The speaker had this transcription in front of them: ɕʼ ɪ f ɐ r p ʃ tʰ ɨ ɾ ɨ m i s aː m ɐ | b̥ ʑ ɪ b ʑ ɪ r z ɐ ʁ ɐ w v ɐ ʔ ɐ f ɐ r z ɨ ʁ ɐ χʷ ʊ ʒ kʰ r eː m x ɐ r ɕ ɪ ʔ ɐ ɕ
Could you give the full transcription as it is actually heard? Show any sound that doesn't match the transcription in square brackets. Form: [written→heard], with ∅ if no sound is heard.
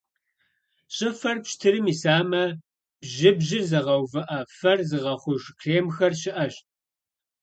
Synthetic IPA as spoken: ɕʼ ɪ f ɐ r p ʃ tʰ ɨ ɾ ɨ m i s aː m ɐ | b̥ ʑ ɪ b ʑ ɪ r z ɐ ʁ ɐ w v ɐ ʔ ɐ f ɐ r z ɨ ʁ ɐ χʷ ʊ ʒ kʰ r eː m x ɐ r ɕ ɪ ʔ ɐ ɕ